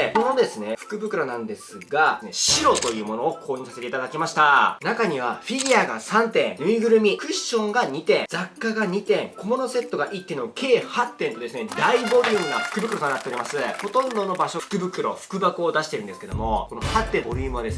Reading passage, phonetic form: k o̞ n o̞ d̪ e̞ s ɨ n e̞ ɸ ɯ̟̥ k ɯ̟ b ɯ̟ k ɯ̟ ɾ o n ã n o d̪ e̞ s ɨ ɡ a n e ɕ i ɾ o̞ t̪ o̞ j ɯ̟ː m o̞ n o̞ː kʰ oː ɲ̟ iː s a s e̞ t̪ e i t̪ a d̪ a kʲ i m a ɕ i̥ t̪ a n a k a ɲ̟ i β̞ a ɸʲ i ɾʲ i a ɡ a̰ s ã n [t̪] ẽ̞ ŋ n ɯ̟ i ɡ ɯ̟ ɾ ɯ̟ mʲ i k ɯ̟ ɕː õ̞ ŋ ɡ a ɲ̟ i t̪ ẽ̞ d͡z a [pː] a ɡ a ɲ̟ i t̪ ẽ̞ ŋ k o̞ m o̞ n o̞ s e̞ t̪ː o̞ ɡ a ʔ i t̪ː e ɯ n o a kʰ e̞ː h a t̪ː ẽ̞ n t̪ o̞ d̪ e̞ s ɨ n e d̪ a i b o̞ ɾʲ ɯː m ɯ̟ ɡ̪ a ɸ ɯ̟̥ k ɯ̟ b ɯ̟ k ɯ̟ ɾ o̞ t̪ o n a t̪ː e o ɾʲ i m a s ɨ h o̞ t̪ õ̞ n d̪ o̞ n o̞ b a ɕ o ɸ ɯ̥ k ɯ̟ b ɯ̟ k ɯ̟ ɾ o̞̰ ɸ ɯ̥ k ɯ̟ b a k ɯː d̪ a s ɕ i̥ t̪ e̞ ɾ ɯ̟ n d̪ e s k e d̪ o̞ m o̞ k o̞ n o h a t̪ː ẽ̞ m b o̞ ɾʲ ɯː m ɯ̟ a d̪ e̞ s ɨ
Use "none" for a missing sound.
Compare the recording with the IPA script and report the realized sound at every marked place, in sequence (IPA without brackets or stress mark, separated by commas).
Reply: t̪, kː